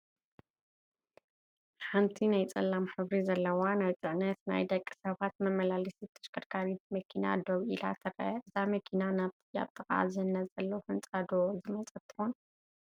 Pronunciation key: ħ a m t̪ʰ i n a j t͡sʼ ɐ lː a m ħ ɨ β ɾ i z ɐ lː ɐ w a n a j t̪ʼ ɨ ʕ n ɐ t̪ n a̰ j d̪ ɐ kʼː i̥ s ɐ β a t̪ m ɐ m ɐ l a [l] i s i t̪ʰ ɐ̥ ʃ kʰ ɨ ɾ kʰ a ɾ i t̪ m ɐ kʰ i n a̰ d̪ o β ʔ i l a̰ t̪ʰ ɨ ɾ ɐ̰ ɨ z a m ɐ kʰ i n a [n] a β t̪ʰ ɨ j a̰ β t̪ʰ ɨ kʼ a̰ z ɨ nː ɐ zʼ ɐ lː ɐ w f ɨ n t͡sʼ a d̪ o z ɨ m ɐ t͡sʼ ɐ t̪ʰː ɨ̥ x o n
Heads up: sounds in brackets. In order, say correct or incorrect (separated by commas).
correct, correct